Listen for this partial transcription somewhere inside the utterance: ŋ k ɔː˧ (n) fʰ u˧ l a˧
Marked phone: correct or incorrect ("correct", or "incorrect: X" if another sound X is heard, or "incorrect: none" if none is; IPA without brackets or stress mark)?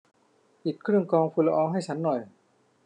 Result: incorrect: ŋ